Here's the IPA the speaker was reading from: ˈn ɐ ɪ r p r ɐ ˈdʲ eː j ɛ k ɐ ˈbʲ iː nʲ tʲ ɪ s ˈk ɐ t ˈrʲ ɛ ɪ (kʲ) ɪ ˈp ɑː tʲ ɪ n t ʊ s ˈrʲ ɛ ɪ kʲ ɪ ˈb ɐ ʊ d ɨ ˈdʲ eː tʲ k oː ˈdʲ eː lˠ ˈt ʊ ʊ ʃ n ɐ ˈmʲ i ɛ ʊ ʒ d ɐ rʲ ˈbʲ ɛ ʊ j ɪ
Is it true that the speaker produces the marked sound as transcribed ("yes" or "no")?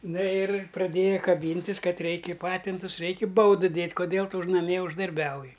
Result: yes